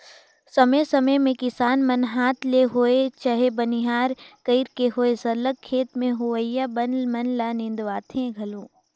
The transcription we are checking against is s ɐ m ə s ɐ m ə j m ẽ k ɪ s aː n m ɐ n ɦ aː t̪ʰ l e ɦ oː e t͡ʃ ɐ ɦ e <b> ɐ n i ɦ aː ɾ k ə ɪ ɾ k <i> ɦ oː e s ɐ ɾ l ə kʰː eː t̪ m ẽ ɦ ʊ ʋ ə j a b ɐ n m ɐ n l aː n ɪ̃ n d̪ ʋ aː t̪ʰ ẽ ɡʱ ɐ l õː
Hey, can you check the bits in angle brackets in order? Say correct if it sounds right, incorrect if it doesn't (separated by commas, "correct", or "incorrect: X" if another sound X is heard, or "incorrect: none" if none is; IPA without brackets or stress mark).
correct, incorrect: e